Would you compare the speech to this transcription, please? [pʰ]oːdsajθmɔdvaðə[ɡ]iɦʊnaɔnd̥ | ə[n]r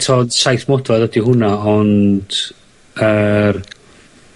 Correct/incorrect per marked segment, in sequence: incorrect: tʰ, incorrect: d, incorrect: none

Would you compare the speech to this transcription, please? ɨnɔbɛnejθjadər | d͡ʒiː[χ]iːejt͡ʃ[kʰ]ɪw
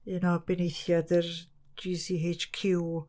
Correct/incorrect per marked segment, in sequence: incorrect: s, correct

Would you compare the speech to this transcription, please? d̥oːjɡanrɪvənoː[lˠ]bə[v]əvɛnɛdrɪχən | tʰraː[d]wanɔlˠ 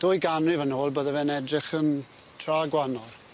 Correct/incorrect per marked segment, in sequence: correct, incorrect: ð, incorrect: ɡ

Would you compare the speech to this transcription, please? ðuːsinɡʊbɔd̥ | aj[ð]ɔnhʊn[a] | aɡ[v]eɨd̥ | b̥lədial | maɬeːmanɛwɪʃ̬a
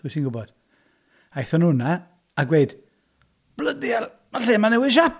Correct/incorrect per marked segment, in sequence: incorrect: θ, correct, incorrect: w

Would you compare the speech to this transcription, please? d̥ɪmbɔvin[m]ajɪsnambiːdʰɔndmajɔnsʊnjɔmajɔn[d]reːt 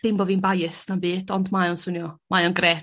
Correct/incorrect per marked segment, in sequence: incorrect: b, incorrect: ɡ

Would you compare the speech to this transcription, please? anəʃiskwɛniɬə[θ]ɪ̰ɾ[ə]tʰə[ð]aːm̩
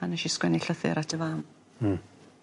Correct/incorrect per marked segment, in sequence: correct, incorrect: a, incorrect: v

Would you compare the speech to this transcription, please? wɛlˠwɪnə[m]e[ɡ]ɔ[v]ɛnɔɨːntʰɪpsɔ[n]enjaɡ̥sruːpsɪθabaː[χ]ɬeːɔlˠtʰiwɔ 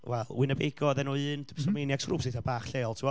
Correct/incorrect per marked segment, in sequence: incorrect: b, correct, incorrect: ð, incorrect: m, correct

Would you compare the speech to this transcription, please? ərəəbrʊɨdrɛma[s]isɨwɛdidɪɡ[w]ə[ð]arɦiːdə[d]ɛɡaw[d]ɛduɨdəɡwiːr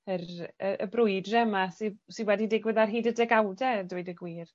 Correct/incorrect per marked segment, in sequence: correct, correct, correct, correct, correct

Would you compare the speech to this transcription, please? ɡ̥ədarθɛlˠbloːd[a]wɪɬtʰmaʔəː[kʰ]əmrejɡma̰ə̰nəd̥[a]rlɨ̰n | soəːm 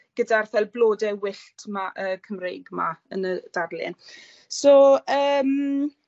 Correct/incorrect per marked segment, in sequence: incorrect: ɛ, correct, correct

